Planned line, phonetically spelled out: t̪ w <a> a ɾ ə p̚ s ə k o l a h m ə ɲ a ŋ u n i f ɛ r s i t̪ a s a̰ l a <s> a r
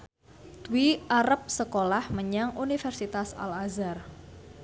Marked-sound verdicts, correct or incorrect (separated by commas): incorrect, incorrect